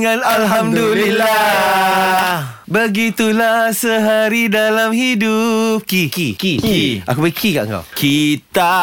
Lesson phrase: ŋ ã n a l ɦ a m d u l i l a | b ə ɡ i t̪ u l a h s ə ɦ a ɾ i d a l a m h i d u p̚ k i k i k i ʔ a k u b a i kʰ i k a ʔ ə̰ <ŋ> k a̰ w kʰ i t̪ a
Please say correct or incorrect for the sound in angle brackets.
correct